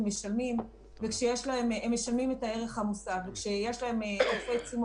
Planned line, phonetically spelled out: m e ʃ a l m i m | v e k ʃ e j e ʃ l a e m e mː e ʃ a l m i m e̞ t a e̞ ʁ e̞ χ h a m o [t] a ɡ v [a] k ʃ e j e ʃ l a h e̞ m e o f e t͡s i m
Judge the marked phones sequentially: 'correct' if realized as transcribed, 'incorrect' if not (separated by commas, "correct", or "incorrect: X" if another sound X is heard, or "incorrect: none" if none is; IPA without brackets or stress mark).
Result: incorrect: s, incorrect: e